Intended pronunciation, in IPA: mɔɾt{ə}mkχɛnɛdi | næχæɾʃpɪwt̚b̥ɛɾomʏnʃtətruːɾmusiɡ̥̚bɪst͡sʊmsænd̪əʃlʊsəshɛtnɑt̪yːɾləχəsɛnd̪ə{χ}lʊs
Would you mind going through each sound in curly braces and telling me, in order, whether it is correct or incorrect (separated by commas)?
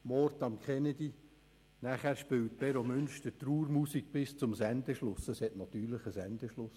incorrect, incorrect